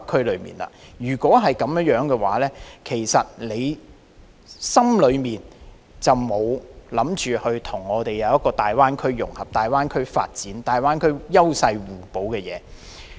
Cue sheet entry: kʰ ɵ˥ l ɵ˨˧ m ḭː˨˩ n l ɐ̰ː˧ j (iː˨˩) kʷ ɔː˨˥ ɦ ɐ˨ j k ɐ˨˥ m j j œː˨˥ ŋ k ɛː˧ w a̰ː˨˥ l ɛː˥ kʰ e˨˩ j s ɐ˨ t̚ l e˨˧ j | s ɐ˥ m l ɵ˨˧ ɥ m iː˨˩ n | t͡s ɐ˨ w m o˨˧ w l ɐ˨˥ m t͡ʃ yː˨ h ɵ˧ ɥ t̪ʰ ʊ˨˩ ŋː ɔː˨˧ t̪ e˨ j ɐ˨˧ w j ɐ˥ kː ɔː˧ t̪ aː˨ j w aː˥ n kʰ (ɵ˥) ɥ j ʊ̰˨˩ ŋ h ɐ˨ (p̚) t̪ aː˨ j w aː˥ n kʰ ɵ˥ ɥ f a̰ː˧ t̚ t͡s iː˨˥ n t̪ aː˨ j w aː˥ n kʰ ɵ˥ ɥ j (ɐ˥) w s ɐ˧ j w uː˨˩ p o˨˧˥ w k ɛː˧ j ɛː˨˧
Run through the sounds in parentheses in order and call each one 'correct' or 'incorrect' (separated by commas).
incorrect, correct, correct, correct